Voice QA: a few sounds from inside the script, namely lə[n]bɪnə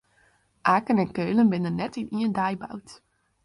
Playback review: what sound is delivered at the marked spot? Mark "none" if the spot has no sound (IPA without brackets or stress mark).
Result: n